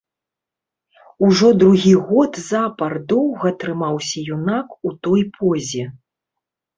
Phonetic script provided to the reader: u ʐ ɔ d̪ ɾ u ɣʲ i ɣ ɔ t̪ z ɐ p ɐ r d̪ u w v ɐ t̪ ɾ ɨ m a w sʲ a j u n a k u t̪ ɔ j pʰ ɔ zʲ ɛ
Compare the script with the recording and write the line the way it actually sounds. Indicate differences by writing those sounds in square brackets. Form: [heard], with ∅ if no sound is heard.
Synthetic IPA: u ʐ ɔ d̪ ɾ u ɣʲ i ɣ ɔ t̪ z [a] p ɐ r d̪ [ɔ] w [ɣ] ɐ t̪ ɾ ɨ m a w sʲ [ɐ] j u n a k u t̪ ɔ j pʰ ɔ zʲ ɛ